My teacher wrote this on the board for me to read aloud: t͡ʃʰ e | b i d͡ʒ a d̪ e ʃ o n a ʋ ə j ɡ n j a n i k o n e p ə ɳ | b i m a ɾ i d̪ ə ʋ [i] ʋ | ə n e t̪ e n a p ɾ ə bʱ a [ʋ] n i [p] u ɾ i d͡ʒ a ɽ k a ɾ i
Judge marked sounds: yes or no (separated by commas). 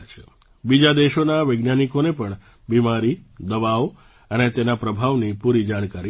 no, yes, yes